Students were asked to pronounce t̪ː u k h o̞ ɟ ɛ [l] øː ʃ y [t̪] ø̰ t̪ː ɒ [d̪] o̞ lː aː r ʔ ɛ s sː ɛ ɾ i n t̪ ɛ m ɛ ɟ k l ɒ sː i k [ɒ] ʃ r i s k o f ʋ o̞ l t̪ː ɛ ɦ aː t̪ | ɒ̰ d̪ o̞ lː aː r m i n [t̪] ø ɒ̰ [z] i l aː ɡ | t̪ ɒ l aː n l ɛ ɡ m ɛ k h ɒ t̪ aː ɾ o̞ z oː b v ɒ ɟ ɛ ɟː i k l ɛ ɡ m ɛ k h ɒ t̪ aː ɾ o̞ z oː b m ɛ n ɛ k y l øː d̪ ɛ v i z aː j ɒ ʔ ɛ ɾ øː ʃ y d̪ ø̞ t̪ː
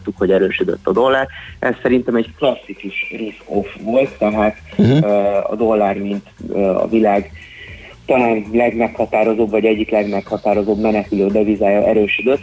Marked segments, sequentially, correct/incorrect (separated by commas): incorrect, incorrect, correct, incorrect, correct, incorrect